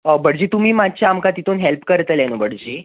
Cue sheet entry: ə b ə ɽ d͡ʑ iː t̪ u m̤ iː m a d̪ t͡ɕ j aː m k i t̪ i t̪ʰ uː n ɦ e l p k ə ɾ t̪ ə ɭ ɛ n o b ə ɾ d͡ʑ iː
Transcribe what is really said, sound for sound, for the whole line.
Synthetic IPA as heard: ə b ə ɽ d͡ʑ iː t̪ u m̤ iː m a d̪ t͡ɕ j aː m k a t̪ i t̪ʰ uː n ɦ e l p k ə ɾ t̪ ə l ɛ n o b ə ɽ d͡ʑ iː